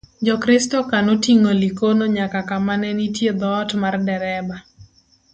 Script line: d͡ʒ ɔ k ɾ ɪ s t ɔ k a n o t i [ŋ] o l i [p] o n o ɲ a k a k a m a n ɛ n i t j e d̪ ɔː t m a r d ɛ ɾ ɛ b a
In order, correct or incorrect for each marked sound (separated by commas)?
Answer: correct, incorrect